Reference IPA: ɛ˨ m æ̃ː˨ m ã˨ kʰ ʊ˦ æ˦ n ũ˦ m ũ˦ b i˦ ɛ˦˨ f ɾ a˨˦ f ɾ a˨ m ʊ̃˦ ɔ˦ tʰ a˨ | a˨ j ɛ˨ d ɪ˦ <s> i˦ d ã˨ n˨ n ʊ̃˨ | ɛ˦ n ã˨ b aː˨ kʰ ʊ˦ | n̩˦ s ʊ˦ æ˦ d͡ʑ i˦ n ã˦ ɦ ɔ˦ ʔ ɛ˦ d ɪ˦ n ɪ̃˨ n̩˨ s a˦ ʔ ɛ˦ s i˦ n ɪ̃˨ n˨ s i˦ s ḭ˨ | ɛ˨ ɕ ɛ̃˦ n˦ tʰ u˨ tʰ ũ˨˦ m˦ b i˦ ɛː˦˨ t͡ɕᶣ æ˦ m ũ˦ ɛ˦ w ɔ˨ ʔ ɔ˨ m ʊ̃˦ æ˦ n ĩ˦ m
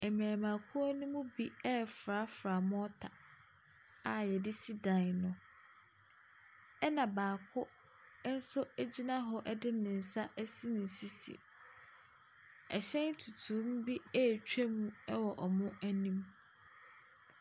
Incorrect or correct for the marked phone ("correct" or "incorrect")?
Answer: correct